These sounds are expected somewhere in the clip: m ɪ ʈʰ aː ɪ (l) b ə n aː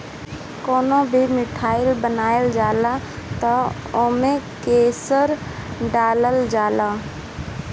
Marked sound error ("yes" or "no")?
no